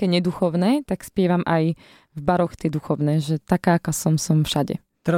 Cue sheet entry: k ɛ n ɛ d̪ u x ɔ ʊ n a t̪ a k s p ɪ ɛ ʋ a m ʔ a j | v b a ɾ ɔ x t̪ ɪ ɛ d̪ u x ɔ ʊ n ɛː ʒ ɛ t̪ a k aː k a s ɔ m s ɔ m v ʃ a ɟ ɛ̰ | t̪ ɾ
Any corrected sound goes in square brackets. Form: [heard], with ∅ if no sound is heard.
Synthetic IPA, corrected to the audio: k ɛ [ɲ] ɛ d̪ u x ɔ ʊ n [ɛ] t̪ a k s p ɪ ɛ ʋ a m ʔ a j | v b a ɾ ɔ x t̪ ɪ ɛ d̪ u x ɔ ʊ n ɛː ʒ ɛ t̪ a k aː k a s ɔ m s ɔ m [f] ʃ a ɟ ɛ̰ | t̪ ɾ